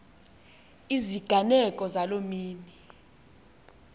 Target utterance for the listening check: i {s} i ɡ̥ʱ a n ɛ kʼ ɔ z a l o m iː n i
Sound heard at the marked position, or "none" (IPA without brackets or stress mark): z